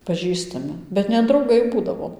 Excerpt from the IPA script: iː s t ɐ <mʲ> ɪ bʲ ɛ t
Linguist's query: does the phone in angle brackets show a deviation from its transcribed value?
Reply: no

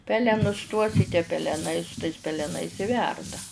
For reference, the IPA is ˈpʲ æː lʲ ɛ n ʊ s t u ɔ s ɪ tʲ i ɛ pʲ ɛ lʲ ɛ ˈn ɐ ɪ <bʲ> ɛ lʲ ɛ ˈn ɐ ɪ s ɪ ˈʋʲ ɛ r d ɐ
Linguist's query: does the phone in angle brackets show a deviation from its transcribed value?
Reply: yes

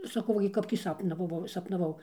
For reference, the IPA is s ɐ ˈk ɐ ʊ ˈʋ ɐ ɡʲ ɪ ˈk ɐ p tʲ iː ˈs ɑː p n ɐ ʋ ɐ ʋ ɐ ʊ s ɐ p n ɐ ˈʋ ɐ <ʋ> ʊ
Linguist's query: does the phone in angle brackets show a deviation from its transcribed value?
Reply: yes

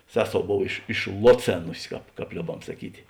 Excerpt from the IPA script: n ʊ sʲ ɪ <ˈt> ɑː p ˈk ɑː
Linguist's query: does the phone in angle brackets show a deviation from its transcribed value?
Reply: yes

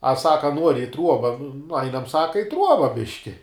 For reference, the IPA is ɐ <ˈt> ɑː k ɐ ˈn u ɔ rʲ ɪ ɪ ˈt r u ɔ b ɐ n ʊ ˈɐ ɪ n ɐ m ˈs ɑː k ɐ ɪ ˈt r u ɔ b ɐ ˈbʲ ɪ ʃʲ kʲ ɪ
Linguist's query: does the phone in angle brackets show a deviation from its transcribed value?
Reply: yes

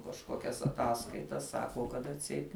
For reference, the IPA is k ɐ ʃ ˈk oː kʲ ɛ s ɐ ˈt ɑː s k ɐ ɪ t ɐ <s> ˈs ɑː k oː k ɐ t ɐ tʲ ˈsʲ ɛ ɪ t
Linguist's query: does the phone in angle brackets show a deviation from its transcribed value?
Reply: no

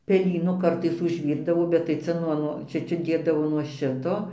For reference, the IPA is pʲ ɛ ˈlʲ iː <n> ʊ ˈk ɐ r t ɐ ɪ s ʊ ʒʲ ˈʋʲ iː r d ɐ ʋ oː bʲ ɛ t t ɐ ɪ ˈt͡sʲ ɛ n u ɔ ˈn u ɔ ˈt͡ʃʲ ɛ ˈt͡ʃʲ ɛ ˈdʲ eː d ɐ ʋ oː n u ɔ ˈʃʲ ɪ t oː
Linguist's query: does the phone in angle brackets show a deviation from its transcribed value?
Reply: no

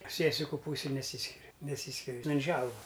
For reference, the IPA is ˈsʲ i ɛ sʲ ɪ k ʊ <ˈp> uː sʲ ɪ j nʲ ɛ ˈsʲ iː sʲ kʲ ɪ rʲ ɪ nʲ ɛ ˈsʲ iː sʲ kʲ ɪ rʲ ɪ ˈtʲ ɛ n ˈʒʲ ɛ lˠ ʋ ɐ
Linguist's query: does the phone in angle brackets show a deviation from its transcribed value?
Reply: no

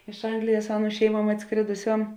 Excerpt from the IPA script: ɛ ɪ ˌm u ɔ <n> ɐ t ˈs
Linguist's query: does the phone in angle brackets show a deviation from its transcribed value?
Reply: yes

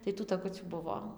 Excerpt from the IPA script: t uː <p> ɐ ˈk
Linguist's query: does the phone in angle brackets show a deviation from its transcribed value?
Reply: yes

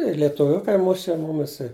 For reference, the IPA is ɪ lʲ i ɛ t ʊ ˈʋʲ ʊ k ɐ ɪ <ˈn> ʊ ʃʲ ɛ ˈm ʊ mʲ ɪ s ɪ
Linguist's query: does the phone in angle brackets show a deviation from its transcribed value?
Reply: yes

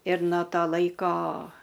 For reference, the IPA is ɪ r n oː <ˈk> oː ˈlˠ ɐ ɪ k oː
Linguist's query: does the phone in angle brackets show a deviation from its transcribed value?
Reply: yes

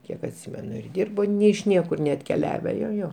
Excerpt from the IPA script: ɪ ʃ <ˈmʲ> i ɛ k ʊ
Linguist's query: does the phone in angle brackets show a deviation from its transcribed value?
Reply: yes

